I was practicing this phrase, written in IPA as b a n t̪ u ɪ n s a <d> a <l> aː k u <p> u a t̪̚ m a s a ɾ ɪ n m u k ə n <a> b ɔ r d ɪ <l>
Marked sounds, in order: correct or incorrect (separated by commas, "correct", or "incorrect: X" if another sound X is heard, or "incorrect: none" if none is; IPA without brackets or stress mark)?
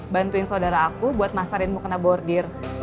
correct, incorrect: ɾ, incorrect: b, correct, incorrect: r